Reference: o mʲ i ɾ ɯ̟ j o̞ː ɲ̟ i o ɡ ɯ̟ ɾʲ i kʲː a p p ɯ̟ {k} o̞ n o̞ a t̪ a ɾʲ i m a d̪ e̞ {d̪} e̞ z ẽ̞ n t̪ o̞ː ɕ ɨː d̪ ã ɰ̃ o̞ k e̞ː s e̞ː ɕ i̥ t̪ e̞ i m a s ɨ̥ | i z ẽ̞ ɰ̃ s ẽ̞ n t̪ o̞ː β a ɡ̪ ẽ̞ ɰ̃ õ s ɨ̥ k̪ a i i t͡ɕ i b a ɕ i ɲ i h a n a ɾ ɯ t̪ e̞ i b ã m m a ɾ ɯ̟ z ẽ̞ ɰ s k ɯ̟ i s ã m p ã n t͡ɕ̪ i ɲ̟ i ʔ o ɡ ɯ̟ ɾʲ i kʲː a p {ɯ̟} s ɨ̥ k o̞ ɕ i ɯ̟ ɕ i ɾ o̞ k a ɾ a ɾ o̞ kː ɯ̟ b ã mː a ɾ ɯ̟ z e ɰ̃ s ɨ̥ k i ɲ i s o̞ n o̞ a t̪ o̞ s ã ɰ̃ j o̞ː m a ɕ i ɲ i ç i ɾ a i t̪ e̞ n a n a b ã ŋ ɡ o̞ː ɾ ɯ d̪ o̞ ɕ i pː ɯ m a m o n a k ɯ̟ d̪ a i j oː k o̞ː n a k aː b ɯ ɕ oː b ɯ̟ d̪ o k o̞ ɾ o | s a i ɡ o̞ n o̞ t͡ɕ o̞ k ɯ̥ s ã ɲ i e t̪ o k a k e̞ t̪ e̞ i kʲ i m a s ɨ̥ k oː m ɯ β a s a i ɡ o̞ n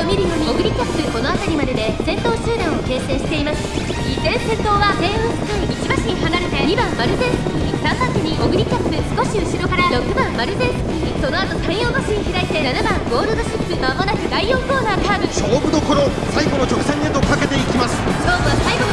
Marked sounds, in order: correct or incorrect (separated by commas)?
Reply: correct, correct, correct